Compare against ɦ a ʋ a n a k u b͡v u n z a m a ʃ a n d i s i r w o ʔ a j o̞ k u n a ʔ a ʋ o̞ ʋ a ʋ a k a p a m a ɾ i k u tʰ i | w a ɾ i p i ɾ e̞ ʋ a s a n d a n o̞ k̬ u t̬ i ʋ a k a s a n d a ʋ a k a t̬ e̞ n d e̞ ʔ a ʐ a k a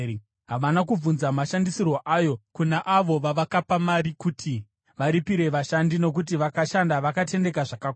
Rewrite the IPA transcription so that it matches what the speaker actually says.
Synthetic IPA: ɦ a ʋ a n a k u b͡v u n z a m a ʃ a n d i s i r w o ʔ a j o̞ k u n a ʔ a ʋ o̞ ʋ a ʋ a k a p a m a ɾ i k u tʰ i | ʋ a ɾ i p i ɾ e̞ ʋ a ʃ a n d i n o̞ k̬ u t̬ i ʋ a k a ʃ a n d a ʋ a k a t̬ e̞ n d e̞ k a ʐ a k a